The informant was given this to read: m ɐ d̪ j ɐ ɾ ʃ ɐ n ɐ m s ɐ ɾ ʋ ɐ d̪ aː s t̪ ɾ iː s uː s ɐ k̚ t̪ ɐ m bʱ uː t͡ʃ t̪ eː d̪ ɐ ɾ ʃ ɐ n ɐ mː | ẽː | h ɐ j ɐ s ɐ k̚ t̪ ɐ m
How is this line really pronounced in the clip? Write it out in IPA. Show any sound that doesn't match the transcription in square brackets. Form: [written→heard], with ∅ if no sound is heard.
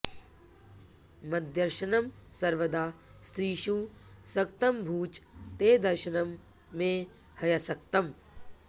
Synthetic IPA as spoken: m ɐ d̪ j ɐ ɾ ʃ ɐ n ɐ m s ɐ ɾ ʋ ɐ d̪ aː s t̪ ɾ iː [s→ʃ] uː s ɐ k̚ t̪ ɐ m bʱ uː t͡ʃ t̪ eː d̪ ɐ ɾ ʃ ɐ n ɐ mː | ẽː | h ɐ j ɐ s ɐ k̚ t̪ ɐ m

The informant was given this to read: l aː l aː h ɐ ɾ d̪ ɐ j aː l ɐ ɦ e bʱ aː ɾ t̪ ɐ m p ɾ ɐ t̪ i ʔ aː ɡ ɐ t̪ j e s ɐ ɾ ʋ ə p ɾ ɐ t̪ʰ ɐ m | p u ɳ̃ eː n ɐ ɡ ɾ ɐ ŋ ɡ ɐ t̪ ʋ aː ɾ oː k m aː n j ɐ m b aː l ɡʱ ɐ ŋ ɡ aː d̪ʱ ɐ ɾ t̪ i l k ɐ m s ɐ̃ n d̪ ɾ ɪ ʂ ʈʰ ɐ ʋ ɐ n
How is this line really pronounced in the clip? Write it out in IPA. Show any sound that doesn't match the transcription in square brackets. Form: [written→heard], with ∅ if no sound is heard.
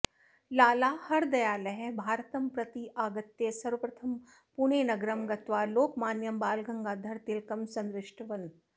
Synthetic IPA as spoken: l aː l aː h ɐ ɾ d̪ ɐ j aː l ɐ ɦ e bʱ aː ɾ t̪ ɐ m p ɾ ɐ t̪ i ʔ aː ɡ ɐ t̪ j e s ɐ ɾ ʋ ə p ɾ ɐ t̪ʰ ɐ m | p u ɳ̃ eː n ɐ ɡ ɾ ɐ [ŋ→m] ɡ ɐ t̪ ʋ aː [ɾ→l] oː k m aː n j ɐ m b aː l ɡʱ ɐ ŋ ɡ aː d̪ʱ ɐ ɾ t̪ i l k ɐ m s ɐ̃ n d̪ ɾ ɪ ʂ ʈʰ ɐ ʋ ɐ n

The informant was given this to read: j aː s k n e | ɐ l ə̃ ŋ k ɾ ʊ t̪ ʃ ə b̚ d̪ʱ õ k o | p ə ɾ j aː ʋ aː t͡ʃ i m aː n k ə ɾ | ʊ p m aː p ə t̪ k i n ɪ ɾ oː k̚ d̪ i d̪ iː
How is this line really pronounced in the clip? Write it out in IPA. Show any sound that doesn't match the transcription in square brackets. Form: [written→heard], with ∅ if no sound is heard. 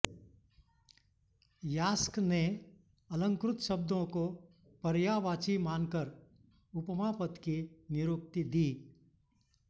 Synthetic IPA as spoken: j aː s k n e | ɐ l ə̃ ŋ k ɾ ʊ t̪ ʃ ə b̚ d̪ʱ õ k o | p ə ɾ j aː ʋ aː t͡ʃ i m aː n k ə ɾ | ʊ p m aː p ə t̪ k i n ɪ ɾ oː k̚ [d̪→t̪] i d̪ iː

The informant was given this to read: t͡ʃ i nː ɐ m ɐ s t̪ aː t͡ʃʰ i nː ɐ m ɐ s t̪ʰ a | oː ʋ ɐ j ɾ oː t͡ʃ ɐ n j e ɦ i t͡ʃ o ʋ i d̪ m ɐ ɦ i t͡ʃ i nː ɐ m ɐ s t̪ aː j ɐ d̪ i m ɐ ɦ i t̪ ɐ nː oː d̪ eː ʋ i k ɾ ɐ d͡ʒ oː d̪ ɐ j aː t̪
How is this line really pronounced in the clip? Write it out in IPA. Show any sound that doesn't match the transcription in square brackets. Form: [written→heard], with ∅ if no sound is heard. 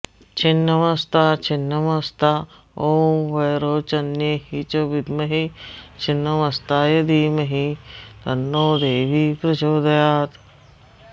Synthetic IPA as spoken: t͡ʃ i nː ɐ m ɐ s t̪ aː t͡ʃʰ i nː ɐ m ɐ s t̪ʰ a | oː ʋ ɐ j ɾ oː t͡ʃ ɐ n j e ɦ i t͡ʃ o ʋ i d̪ m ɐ ɦ i t͡ʃ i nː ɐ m ɐ s t̪ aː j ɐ d̪ i m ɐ ɦ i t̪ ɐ nː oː d̪ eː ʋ i [k→p] ɾ ɐ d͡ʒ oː d̪ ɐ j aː t̪

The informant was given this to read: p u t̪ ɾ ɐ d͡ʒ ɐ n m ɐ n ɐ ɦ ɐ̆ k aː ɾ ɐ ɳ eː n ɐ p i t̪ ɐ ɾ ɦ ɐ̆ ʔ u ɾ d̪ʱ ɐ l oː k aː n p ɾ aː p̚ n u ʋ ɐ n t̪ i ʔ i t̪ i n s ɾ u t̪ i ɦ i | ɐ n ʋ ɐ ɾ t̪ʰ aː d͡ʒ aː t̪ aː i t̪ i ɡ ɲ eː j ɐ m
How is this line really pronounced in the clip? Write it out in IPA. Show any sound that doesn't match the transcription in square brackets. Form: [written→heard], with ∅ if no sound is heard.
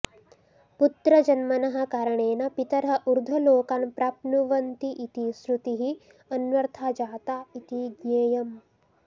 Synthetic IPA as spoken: p u t̪ ɾ ɐ d͡ʒ ɐ n m ɐ n ɐ ɦ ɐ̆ k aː ɾ ɐ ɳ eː n ɐ p i t̪ ɐ ɾ ɦ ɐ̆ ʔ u ɾ d̪ʱ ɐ l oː k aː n p ɾ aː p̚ n u ʋ ɐ n t̪ i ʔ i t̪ i [n→∅] s ɾ u t̪ i ɦ i | ɐ n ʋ ɐ ɾ t̪ʰ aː d͡ʒ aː t̪ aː i t̪ i ɡ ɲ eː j ɐ m

